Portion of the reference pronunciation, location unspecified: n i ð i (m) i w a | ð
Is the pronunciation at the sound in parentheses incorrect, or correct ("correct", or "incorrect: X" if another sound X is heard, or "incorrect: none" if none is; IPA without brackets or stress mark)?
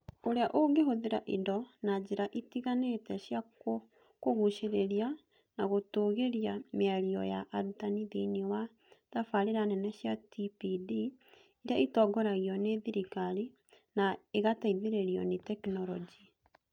incorrect: n